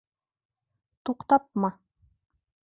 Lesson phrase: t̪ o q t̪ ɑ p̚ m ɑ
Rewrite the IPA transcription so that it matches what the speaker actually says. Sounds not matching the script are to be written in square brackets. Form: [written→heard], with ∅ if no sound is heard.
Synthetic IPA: t̪ [o→u] q t̪ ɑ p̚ m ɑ